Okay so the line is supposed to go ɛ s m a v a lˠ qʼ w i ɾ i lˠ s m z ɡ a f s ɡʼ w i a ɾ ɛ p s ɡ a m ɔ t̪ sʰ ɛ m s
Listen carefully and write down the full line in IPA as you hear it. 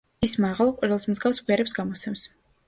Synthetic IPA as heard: i s m a ʁ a lˠ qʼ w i ɾ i lˠ s m z ɡ a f s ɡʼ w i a ɾ ɛ p s ɡ a m ɔ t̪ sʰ ɛ m s